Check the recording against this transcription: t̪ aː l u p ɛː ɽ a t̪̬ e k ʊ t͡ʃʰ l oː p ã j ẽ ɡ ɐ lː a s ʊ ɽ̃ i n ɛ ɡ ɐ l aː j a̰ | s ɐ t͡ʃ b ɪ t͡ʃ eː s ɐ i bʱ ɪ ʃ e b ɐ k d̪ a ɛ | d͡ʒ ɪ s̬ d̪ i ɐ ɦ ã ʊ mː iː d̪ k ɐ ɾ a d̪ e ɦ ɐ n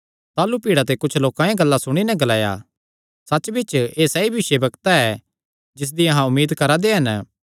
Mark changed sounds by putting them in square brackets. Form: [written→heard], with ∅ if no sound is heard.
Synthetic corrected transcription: t̪ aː l u p [ɛː→iː] ɽ a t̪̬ e k ʊ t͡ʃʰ l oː [p→k] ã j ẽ ɡ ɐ lː a s ʊ ɽ̃ i n ɛ ɡ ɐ l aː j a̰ | s ɐ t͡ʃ b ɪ t͡ʃ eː s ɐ i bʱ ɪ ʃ e b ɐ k [d̪→t̪] a ɛ | d͡ʒ ɪ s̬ d̪ i ɐ ɦ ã ʊ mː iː d̪ k ɐ ɾ a d̪ e ɦ ɐ n